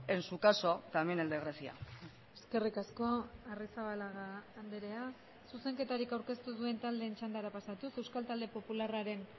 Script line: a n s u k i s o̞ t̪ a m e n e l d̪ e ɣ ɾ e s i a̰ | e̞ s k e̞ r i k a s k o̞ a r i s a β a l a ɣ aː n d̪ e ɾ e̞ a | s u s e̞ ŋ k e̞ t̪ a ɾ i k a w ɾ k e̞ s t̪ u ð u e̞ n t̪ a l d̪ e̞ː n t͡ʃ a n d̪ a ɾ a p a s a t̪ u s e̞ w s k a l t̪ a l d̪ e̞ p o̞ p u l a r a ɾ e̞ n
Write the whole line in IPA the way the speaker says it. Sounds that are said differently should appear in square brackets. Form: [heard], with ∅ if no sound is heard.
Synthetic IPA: [e] n s u k [a] s o̞ t̪ a m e n e l d̪ e ɣ ɾ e s i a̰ | e̞ s k e̞ r i k a s k o̞ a r i s a β a l a ɣ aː n d̪ e ɾ e̞ a | s u s e̞ ŋ k e̞ t̪ a ɾ i k a w ɾ k e̞ s t̪ u ð u e̞ n t̪ a l d̪ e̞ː n t͡ʃ a n d̪ a ɾ a p a s a t̪ u s e̞ w s k a l t̪ a l d̪ e̞ p o̞ p u l a r a ɾ e̞ n